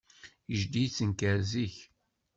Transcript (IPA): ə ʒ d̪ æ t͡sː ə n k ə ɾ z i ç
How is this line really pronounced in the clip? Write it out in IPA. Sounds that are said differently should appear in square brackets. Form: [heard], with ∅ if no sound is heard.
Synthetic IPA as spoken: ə ʒ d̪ [i] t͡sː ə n k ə ɾ z i ç